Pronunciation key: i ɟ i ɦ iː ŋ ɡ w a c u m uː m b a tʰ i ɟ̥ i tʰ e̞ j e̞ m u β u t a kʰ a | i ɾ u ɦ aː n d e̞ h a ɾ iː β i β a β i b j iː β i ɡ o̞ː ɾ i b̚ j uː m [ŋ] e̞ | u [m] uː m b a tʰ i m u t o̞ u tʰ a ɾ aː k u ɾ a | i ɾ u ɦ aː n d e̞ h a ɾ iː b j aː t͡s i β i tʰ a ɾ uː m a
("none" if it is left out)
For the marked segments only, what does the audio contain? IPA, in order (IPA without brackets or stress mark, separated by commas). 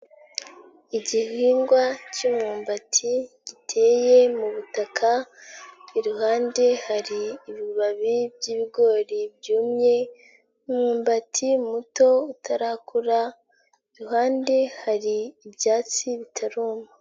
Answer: ɲ, m